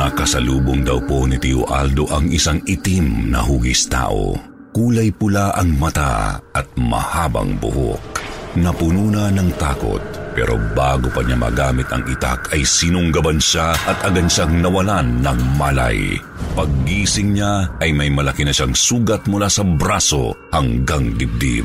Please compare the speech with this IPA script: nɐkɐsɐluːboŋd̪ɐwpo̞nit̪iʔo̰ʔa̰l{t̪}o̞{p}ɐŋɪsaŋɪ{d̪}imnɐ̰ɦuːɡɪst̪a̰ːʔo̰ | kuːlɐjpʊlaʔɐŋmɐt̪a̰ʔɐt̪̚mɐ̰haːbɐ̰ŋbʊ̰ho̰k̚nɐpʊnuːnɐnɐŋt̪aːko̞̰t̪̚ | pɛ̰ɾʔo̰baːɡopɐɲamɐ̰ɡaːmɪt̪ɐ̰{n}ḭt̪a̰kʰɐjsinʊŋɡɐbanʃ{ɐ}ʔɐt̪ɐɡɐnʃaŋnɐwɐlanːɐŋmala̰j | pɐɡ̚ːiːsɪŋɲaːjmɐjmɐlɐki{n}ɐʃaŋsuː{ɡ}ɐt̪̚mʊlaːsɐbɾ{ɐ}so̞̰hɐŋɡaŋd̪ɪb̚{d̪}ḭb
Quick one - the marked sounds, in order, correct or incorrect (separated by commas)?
incorrect, incorrect, incorrect, incorrect, incorrect, correct, correct, incorrect, correct